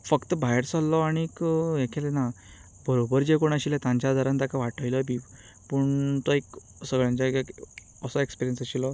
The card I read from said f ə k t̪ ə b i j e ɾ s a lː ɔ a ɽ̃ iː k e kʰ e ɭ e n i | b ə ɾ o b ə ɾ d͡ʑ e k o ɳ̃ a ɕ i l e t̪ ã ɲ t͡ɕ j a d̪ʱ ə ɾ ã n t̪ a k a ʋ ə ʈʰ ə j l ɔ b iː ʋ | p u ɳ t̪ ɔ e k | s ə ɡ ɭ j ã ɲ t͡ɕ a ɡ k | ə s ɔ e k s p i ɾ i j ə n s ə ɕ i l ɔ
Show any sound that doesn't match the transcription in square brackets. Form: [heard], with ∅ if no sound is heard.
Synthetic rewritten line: f ə k t̪ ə b [a] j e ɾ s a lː ɔ a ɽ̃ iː k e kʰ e [l] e n [a] | b ə ɾ o b ə ɾ d͡ʑ e k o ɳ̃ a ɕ i l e t̪ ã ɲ t͡ɕ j a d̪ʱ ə ɾ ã n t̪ a k a ʋ [a] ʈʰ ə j l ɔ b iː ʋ | p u ɳ t̪ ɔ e k | s ə ɡ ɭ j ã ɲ t͡ɕ a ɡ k | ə s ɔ e k s p i ɾ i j ə n s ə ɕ i l ɔ